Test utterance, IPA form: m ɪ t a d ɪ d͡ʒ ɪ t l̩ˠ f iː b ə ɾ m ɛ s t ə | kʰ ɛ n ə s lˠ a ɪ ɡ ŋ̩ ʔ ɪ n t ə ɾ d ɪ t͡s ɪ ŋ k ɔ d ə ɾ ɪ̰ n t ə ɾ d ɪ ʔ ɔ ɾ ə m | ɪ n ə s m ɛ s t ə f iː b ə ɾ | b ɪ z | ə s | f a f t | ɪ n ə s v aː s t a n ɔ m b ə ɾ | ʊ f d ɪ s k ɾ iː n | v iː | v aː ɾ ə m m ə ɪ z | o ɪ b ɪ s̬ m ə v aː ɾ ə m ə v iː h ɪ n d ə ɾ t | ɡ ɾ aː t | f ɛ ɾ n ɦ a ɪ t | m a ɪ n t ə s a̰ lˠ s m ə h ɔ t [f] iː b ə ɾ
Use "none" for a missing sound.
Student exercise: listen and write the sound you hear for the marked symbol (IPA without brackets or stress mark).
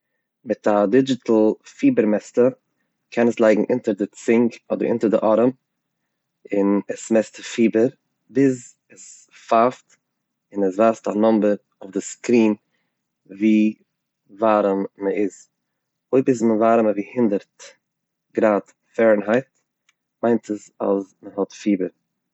f